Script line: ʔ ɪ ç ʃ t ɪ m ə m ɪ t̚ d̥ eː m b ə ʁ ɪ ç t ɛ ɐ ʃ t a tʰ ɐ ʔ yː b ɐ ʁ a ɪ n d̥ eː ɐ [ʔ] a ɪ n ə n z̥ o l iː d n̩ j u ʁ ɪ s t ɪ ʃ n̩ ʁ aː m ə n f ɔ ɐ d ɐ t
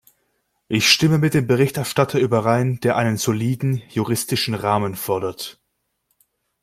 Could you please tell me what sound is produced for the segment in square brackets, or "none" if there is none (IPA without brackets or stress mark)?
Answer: ʔ